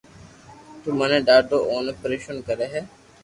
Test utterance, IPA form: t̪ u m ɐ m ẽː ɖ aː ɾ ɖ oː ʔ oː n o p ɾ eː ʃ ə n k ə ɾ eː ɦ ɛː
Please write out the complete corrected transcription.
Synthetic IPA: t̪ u m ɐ n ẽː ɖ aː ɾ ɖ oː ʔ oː n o p ɾ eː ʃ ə n k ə ɾ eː ɦ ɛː